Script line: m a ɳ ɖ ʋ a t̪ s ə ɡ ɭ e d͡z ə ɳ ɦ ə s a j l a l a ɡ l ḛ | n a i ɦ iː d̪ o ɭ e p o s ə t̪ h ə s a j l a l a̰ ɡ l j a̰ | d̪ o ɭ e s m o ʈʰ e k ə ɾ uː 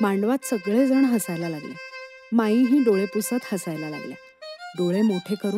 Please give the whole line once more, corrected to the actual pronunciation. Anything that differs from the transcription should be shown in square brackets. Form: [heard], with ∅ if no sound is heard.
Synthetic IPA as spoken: m a ɳ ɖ ʋ a t̪ s ə ɡ ɭ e d͡z ə ɳ ɦ ə s a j l a l a ɡ l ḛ | [m] a i ɦ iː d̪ o ɭ e p [u] s ə t̪ h ə s a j l a l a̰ ɡ l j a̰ | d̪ o ɭ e [∅] m o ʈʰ e k ə ɾ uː